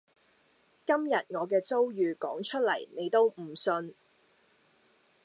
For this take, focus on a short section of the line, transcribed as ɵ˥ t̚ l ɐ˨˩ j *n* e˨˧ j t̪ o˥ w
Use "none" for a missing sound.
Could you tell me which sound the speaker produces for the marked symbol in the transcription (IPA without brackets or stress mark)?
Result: n